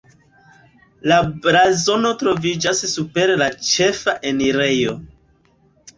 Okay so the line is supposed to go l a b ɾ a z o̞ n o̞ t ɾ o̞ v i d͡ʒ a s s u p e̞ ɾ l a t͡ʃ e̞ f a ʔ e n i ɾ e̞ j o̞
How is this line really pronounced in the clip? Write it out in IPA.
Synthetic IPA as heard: l a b ɾ a z o̞ n o̞ t ɾ o̞ v i d͡ʒ a s s u p e̞ ɾ l a t͡ʃ e̞ f a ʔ e n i ɾ e̞ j o̞